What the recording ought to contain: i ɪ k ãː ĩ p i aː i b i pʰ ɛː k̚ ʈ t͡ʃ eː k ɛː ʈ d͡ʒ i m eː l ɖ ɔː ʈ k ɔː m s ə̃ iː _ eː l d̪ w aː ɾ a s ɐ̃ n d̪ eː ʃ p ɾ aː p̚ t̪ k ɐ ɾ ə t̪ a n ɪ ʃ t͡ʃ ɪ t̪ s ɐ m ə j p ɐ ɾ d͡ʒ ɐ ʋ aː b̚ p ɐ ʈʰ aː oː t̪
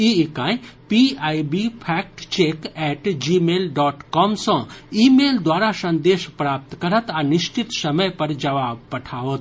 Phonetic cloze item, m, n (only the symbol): m